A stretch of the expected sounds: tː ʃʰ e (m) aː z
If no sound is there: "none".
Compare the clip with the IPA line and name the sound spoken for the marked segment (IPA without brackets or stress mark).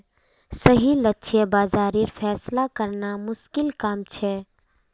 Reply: b